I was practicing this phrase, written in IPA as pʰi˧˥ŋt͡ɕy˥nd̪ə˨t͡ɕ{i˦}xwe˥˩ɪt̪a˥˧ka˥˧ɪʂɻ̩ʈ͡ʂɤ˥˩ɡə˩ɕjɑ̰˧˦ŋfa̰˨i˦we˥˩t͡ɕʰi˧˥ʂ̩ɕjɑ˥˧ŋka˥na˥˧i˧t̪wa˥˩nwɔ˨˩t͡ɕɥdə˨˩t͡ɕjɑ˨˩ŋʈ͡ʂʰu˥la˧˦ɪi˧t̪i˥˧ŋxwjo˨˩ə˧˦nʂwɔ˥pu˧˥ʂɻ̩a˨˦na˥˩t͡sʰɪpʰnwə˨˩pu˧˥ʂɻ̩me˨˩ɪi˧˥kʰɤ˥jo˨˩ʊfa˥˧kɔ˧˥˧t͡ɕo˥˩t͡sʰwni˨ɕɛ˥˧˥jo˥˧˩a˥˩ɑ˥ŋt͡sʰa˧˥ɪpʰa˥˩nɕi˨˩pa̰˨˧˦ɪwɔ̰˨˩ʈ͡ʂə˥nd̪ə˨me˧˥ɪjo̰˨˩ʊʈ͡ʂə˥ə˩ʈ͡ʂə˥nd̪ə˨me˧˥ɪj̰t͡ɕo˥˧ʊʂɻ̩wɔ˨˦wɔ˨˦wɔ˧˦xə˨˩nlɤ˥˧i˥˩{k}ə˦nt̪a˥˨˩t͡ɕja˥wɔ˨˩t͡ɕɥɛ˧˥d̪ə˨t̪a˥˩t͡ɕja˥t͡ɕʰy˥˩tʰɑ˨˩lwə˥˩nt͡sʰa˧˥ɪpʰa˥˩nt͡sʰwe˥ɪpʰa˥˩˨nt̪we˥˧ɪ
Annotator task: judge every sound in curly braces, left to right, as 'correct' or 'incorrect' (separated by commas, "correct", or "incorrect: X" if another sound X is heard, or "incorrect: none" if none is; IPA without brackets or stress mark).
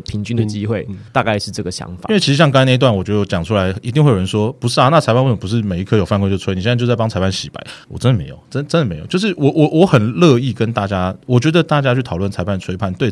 correct, correct